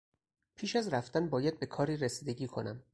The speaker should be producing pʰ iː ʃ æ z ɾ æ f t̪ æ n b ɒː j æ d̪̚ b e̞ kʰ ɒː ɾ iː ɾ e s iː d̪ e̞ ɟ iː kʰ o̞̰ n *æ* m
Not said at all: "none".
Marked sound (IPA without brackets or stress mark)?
æ